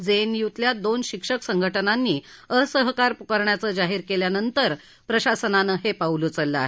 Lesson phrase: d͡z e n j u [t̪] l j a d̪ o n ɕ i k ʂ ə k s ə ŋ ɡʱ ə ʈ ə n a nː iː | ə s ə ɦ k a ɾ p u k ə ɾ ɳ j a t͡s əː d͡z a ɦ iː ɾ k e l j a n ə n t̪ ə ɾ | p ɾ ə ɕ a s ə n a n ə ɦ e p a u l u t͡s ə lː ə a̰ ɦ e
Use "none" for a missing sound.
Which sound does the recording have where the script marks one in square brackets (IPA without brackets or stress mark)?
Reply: t̪